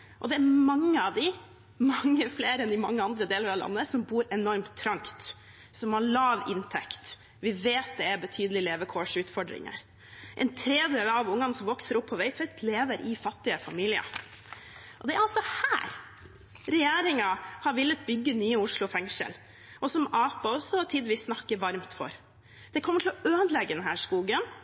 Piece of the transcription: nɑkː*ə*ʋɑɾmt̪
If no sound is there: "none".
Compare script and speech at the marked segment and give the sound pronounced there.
ə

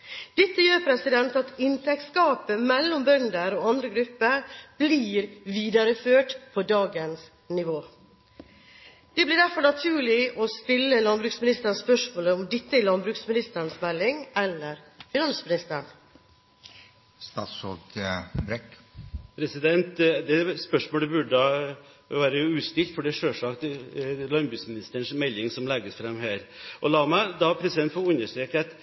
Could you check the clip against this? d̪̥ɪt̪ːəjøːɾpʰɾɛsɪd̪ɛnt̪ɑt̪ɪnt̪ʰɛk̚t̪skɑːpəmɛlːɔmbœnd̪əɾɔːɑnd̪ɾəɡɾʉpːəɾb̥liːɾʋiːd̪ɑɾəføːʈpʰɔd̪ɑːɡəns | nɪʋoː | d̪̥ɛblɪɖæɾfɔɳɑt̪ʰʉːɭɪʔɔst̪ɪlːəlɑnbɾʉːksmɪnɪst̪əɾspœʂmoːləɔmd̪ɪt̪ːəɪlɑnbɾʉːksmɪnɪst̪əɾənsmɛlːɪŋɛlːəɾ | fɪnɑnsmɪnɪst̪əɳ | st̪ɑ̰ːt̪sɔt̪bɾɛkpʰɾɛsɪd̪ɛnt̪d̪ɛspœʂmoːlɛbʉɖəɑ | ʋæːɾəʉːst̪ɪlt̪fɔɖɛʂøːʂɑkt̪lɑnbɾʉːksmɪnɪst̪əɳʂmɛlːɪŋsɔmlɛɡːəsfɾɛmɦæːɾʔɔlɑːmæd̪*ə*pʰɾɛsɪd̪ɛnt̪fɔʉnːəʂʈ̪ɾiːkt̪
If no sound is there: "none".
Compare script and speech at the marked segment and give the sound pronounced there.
ɑ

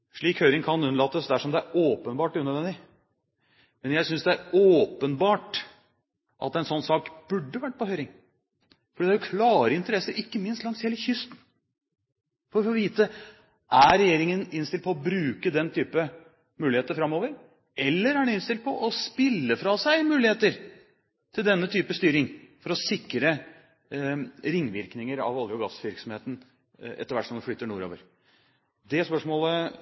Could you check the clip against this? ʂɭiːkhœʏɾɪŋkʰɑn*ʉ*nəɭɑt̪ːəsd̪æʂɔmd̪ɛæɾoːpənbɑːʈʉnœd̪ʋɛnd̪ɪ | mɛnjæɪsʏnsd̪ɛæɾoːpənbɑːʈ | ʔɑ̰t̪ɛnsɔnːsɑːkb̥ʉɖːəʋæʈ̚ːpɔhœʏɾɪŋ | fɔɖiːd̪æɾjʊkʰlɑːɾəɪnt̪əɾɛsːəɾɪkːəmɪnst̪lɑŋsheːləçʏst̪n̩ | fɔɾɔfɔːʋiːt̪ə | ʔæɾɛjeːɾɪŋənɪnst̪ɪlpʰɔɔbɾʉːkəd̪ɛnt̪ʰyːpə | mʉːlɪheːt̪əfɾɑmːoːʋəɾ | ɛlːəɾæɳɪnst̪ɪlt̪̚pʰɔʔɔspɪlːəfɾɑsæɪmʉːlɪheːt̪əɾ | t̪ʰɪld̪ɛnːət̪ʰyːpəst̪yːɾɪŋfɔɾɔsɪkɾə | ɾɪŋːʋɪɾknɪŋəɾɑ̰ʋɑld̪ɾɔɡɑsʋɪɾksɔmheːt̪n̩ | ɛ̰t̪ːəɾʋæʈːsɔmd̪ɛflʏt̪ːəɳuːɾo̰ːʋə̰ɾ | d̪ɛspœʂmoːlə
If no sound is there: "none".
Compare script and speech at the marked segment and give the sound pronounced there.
ʉ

